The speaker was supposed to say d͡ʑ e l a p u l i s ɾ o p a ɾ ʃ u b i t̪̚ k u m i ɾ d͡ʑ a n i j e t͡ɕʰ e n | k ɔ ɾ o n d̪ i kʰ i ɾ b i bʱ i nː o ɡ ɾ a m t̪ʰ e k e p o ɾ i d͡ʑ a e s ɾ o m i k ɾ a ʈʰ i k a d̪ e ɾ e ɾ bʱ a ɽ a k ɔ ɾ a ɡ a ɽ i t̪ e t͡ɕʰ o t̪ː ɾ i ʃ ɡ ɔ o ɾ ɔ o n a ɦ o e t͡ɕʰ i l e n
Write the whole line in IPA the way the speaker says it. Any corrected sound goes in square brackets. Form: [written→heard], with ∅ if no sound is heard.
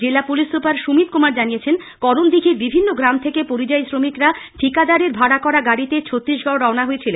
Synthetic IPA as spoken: d͡ʑ e l a p u l i s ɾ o p a ɾ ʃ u [b→m] i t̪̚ k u m [i→a] ɾ d͡ʑ a n i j e t͡ɕʰ e n | k ɔ ɾ o n d̪ i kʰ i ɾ b i bʱ i nː o ɡ ɾ a m t̪ʰ e k e p o ɾ i d͡ʑ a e s ɾ o m i k ɾ a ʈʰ i k a d̪ [e→a] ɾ e ɾ bʱ a ɽ a k ɔ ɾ a ɡ a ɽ i t̪ e t͡ɕʰ o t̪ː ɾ i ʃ ɡ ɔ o ɾ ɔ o n a ɦ o e t͡ɕʰ i l e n